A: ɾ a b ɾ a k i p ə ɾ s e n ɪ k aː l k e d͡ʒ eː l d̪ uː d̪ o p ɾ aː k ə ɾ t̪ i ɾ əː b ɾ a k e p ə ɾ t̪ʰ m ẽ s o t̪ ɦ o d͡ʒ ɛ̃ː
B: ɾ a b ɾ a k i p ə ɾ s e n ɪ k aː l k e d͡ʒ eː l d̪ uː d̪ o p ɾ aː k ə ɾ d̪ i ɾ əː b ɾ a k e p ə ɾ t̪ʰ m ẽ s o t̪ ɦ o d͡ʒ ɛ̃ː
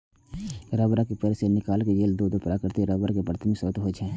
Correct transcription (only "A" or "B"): A